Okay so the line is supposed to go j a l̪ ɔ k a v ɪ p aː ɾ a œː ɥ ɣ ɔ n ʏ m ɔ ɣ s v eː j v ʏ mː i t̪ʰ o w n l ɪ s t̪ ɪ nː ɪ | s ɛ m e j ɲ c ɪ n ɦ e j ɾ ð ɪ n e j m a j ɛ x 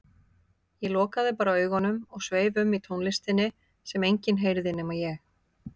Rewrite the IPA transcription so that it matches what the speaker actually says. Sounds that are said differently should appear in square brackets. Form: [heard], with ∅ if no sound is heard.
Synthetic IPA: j [ɛ] l̪ [ɔː] k a [ð] ɪ p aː ɾ a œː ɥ ɣ ɔ n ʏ m ɔ ɣ s v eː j v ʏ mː i t̪ʰ o w n l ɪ s t̪ ɪ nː ɪ | s ɛ m e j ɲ c ɪ n ɦ e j ɾ ð ɪ n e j m a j ɛ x